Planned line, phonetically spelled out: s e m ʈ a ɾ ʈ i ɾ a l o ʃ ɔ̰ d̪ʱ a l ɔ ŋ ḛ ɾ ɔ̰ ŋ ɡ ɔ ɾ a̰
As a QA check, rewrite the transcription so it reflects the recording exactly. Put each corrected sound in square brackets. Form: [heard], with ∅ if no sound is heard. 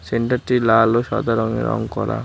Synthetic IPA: s e [ɳ] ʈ a ɾ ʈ i [l] a l o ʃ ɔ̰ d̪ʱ a [ɾ] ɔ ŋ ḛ ɾ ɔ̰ ŋ [k] ɔ ɾ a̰